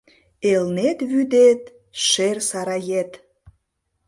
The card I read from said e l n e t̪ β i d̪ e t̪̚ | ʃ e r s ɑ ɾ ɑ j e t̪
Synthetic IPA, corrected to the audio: e l n e t̪ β y d̪ e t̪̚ | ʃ e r s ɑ ɾ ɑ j e t̪